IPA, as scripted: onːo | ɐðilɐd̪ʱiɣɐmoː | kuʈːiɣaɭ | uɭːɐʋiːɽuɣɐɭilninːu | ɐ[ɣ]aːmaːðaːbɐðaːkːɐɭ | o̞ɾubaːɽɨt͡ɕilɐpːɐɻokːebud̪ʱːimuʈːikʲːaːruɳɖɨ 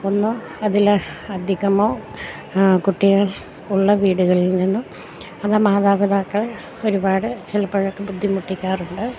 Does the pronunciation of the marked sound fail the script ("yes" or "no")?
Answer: yes